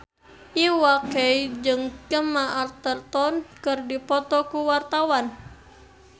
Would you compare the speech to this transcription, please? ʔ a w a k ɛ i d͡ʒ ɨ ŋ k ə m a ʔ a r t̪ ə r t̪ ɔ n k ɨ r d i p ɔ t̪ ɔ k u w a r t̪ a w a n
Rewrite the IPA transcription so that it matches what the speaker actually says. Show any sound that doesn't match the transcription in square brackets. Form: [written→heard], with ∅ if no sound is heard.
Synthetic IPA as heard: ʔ [a→i] w a k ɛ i d͡ʒ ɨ ŋ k ə m a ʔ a r t̪ ə r t̪ ɔ n k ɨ r d i p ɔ t̪ ɔ k u w a r t̪ a w a n